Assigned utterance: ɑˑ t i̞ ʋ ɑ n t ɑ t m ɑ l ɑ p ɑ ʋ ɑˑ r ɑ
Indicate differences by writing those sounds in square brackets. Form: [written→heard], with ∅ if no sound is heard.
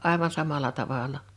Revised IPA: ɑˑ [t→∅] i̞ ʋ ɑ n [t→s] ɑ [t→∅] m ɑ l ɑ [p→t] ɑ ʋ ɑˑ [r→l] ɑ